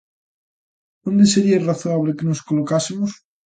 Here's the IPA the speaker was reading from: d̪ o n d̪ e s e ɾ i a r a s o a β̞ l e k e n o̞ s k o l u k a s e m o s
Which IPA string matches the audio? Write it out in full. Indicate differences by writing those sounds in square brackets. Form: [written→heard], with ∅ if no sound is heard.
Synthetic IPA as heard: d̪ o n d̪ e s e ɾ i a r a [s→θ] o a β̞ l e k e n o̞ s k o l [u→o] k a s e m o s